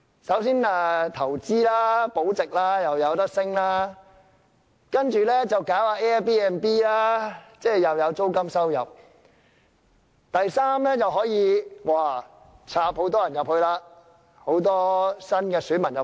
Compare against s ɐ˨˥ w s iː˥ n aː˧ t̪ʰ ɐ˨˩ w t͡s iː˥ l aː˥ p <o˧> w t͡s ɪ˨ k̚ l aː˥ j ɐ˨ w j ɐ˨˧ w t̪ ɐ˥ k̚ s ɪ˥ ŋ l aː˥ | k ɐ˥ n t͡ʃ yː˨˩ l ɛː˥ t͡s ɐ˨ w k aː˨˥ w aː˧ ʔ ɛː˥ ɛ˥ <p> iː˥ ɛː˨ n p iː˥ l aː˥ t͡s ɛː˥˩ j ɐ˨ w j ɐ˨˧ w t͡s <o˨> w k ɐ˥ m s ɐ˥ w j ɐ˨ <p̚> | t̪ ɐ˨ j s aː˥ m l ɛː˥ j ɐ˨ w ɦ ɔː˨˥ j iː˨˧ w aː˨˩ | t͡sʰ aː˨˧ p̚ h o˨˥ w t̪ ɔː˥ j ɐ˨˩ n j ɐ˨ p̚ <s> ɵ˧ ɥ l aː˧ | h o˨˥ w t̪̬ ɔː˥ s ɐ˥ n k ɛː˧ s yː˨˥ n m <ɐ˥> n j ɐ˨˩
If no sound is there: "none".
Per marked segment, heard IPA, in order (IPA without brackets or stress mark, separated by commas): o˨˥, p, o˥, p̚, h, ɐ˨˩